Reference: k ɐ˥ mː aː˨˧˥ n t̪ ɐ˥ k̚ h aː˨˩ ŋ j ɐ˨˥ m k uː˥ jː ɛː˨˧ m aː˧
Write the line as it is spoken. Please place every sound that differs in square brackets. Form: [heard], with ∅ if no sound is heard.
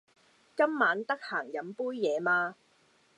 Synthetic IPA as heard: k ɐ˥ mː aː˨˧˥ n t̪ ɐ˥ k̚ h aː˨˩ ŋ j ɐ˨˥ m [p] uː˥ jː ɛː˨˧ m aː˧